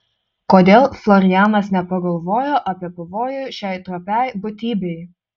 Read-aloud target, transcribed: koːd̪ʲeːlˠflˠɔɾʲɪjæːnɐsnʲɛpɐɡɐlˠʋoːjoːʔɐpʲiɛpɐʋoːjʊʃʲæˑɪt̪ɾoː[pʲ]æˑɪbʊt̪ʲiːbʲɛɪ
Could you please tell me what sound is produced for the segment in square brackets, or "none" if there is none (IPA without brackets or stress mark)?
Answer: pʲ